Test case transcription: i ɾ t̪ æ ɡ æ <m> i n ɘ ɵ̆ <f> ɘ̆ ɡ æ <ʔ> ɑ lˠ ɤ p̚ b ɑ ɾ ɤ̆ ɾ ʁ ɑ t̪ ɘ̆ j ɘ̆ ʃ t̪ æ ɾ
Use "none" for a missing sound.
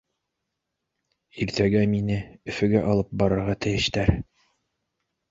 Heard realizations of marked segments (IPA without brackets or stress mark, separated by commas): m, f, ʔ